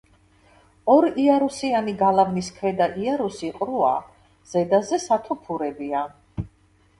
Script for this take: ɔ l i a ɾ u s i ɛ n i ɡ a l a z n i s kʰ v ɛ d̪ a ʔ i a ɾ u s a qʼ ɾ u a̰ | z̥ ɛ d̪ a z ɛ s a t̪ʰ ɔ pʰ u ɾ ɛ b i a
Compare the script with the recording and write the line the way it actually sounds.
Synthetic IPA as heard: ɔ ɾ i a ɾ u s i a n i ɡ a l a v n i s kʰ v ɛ d̪ a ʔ i a ɾ u s i qʼ ɾ u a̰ | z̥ ɛ d̪ a z ɛ s a t̪ʰ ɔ pʰ u ɾ ɛ b i a